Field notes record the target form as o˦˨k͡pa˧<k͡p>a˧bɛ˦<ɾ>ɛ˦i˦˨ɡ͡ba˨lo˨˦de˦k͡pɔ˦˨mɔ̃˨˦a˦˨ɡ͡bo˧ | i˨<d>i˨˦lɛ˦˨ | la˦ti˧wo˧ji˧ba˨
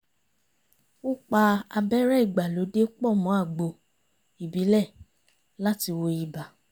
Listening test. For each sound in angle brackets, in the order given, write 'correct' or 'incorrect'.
incorrect: none, correct, incorrect: b

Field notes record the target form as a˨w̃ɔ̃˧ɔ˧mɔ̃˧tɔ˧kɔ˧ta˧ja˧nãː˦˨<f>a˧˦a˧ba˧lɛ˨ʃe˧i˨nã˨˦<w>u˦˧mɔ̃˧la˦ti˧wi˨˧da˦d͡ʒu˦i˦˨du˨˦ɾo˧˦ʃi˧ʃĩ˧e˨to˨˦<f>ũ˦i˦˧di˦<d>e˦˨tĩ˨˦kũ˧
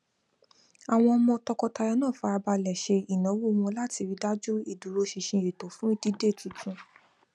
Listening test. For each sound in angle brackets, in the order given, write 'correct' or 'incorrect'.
correct, correct, correct, correct

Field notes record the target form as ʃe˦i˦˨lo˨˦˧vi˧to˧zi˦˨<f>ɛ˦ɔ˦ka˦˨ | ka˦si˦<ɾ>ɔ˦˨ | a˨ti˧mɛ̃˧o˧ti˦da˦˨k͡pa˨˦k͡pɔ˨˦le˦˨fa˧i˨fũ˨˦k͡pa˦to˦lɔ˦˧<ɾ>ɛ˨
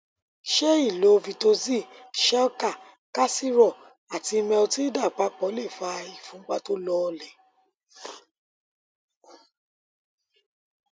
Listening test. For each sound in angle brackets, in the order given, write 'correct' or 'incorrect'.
incorrect: ʃ, correct, incorrect: l

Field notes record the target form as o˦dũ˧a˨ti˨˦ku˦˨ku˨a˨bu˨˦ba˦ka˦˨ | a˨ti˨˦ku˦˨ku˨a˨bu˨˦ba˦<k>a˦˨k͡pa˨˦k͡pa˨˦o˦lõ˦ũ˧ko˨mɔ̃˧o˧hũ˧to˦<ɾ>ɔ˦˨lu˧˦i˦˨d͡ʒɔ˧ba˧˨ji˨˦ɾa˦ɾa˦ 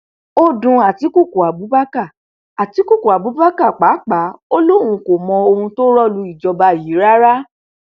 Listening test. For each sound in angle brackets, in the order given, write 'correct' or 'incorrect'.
correct, correct

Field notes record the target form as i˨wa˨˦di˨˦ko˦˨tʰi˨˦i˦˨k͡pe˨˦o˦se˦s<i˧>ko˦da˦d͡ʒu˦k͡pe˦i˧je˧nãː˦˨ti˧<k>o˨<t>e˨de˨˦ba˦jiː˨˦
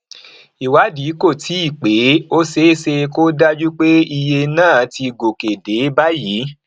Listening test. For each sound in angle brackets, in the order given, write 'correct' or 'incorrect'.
incorrect: e˧, incorrect: ɡ, incorrect: k

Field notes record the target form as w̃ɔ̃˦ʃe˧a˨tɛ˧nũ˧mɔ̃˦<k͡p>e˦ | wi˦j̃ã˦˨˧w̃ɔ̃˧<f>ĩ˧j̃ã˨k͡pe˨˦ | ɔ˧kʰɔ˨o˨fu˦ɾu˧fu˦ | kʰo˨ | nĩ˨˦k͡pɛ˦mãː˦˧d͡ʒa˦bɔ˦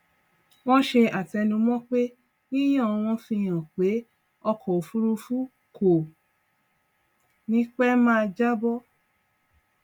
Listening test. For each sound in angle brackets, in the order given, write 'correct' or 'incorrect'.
correct, correct

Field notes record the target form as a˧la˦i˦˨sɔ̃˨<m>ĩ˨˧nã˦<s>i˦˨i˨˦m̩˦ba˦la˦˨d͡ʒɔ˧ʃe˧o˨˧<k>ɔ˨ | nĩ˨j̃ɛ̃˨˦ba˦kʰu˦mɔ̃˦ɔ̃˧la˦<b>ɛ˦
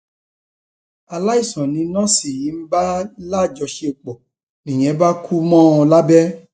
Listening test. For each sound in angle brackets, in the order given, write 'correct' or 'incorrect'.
incorrect: n, correct, incorrect: k͡p, correct

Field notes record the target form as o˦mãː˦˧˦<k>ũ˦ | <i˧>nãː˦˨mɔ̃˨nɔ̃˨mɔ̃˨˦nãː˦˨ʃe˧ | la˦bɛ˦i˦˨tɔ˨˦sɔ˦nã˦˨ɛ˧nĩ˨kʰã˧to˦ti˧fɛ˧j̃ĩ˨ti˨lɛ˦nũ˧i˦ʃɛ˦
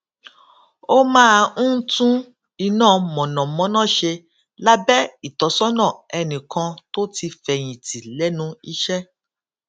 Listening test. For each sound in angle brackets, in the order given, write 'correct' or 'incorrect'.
incorrect: t, correct

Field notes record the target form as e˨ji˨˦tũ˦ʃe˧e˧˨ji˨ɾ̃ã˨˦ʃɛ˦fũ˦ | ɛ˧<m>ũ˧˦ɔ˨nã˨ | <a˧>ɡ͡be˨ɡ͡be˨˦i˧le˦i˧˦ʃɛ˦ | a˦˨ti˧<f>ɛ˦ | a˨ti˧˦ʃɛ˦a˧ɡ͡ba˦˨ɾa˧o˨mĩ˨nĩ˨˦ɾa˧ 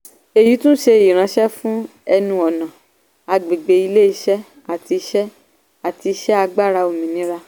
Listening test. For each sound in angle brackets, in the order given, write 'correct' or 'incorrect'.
incorrect: n, correct, incorrect: ʃ

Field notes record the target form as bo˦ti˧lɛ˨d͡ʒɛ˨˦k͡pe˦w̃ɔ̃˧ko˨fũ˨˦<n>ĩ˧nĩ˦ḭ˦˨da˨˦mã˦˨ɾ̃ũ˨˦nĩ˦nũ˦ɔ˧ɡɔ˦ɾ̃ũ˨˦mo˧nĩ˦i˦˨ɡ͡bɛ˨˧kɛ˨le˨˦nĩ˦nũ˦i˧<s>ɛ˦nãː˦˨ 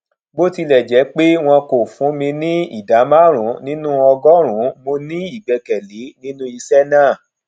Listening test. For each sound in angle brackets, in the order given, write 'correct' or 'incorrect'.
incorrect: m, correct

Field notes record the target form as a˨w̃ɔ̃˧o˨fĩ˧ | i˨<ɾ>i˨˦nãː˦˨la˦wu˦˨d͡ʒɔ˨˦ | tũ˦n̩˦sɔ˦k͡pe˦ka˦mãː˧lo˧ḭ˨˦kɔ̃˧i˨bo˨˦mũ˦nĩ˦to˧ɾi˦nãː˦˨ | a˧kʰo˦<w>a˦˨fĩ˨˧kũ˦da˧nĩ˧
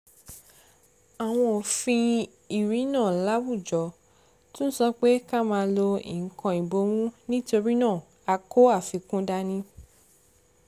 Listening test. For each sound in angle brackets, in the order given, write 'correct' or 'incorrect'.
correct, incorrect: none

